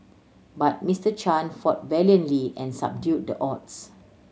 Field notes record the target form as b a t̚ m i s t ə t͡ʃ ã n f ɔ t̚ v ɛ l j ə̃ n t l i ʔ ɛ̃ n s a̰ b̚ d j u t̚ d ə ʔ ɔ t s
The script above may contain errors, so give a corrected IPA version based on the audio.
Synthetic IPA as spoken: b a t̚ m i s t ə t͡ʃ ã n f ɔ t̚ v ɛ l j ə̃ n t l i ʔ ɛ̃ n s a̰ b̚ d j u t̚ d ə ʔ ɔ t s